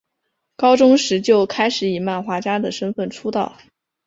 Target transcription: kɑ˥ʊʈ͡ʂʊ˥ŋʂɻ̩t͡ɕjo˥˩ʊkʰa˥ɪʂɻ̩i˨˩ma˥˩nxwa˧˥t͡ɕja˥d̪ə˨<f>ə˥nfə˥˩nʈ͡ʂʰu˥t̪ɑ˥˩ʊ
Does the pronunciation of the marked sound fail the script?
yes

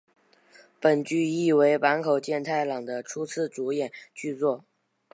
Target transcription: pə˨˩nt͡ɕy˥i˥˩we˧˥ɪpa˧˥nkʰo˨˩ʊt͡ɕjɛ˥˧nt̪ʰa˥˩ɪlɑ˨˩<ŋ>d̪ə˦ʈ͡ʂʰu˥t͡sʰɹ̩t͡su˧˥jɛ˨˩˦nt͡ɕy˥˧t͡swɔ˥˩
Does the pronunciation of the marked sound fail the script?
no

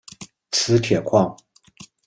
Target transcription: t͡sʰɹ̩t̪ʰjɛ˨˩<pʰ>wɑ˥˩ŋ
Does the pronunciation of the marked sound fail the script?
yes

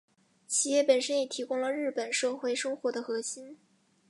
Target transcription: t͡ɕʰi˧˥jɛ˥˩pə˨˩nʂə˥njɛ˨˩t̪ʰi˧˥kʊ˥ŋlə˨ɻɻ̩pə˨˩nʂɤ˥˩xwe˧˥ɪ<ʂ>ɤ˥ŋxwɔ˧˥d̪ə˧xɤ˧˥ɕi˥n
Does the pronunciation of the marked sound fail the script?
no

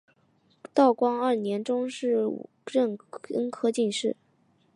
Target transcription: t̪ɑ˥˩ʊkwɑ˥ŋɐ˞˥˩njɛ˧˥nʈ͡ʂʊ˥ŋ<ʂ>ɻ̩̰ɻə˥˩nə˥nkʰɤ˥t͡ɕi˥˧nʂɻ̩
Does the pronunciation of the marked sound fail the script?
no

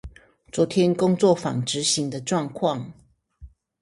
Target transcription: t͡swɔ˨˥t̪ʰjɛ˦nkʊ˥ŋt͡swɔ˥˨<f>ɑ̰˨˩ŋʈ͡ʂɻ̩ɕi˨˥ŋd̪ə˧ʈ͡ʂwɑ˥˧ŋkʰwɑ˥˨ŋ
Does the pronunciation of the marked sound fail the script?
no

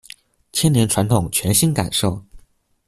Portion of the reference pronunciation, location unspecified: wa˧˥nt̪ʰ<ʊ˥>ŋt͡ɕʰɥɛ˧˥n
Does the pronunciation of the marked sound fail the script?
yes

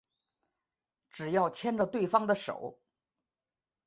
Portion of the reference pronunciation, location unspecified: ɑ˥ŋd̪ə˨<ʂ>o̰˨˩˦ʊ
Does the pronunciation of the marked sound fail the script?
no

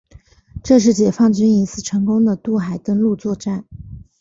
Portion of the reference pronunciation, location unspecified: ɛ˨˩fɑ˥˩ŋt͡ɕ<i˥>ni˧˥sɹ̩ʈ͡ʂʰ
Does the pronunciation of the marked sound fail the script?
yes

